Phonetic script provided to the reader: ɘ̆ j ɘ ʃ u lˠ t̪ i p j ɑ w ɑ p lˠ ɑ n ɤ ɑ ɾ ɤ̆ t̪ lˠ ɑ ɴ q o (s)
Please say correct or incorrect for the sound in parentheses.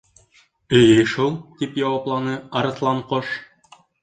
incorrect